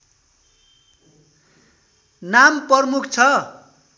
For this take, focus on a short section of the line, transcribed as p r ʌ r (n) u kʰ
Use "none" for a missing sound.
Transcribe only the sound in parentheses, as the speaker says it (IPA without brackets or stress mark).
m